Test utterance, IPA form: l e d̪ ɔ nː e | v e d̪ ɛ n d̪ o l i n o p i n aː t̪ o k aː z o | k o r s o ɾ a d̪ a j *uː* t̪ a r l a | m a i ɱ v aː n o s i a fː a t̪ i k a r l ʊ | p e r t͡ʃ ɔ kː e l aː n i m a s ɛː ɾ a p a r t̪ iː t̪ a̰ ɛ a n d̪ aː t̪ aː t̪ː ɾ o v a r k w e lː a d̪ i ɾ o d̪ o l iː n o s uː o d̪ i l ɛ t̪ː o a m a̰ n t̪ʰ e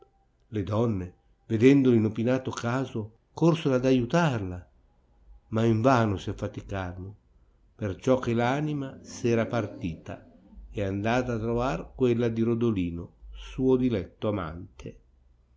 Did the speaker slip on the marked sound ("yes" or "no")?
yes